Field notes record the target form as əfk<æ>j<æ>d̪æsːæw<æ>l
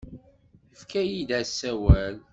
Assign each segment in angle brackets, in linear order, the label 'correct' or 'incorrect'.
correct, incorrect: i, correct

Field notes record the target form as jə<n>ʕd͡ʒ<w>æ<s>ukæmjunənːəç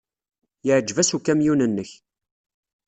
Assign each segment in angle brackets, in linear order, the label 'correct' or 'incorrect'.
incorrect: none, incorrect: v, correct

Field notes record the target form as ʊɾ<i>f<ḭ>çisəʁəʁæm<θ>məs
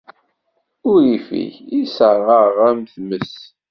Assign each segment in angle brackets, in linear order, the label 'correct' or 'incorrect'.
correct, correct, correct

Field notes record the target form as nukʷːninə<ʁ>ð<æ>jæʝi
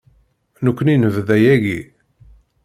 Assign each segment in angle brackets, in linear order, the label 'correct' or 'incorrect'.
incorrect: v, correct

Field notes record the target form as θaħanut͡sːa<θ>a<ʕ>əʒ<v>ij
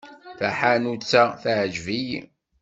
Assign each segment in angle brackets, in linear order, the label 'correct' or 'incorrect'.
correct, correct, correct

